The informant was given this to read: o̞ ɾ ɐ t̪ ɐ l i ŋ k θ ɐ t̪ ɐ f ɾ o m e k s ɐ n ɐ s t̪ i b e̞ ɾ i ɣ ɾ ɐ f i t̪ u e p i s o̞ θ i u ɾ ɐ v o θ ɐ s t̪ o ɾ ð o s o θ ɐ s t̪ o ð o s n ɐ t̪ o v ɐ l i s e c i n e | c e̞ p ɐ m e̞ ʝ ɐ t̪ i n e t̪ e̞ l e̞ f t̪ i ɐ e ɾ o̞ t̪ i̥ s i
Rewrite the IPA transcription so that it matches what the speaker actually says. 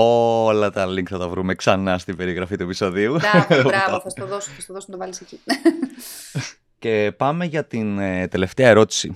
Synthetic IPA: o̞ l ɐ t̪ ɐ l i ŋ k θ ɐ t̪ ɐ v ɾ u m e k s ɐ n ɐ s t̪ i b e̞ ɾ i ɣ ɾ ɐ f i t̪ u e p i s o̞ ð i u ɾ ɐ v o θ ɐ s t̪ o ð o s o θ ɐ s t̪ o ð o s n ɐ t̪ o v ɐ l i s e c i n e | c e̞ p ɐ m e̞ ʝ ɐ t̪ i n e t̪ e̞ l e̞ f t̪ e ɐ e ɾ o̞ t̪ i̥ s i